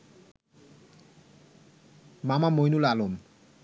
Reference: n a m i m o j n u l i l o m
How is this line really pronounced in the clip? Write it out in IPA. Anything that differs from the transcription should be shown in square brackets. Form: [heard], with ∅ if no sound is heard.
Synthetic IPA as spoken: [m] a m [a] m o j n u l [a] l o m

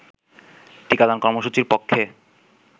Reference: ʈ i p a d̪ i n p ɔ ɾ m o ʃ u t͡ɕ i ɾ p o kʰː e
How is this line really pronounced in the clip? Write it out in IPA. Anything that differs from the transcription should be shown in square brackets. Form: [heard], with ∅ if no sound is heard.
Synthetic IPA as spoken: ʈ i [k] a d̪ [a] n [k] ɔ ɾ m o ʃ u t͡ɕ i ɾ p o kʰː e

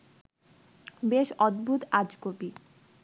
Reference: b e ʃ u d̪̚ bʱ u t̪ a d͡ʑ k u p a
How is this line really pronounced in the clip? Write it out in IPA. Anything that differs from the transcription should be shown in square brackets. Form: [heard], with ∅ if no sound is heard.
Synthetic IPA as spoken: b e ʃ [ɔ] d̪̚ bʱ u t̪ a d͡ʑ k [o] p [i]

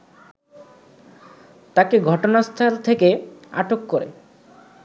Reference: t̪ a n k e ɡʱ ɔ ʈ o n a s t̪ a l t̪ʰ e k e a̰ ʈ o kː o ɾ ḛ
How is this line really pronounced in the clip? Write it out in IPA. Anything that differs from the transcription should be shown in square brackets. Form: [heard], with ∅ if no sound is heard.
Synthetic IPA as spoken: t̪ a [∅] k e ɡʱ ɔ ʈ o n a s [t̪ʰ] a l t̪ʰ e k e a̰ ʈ o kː o ɾ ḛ

